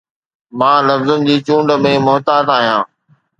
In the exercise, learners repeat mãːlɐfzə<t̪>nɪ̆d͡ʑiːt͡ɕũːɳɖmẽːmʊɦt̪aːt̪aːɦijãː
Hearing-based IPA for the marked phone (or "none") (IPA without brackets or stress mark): none